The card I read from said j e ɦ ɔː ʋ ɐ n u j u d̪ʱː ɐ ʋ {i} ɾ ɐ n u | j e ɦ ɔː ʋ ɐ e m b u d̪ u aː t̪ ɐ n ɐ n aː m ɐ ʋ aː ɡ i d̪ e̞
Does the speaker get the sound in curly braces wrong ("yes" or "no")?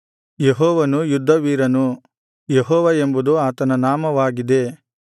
yes